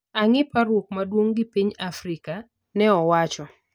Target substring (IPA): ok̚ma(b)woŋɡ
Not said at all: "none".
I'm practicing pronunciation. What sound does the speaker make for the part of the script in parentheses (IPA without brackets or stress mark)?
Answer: d